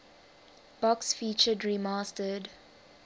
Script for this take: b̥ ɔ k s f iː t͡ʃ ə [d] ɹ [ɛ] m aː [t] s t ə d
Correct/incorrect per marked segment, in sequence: correct, incorrect, incorrect

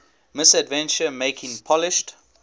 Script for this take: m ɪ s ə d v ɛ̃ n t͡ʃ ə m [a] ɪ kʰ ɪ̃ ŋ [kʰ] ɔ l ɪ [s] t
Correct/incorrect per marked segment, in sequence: incorrect, incorrect, incorrect

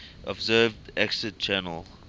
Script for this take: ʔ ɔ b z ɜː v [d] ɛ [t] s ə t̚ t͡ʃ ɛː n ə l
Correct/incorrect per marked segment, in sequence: correct, incorrect

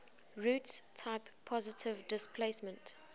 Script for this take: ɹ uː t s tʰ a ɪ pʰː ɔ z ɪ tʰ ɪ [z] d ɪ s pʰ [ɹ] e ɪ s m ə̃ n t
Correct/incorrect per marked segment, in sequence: incorrect, incorrect

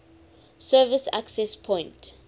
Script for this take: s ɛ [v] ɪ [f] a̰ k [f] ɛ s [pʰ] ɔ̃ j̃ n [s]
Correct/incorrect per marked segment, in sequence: correct, incorrect, incorrect, correct, incorrect

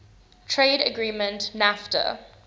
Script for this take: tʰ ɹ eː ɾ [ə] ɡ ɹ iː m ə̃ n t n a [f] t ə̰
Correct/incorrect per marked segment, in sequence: correct, correct

